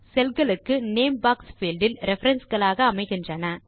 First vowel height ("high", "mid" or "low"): mid